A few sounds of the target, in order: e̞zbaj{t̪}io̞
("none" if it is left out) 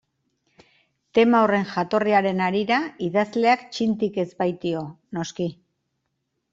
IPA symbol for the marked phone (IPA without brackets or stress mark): t̪